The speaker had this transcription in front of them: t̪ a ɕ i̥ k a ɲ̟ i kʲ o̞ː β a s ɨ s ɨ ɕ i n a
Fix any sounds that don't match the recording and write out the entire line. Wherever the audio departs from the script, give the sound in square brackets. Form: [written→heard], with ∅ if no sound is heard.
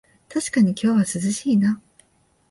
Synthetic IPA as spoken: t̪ a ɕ i̥ k a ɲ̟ i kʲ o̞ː β a s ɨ [s→z] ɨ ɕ [i→iː] n a